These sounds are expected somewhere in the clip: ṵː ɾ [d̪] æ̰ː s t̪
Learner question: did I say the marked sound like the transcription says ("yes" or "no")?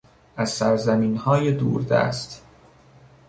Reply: yes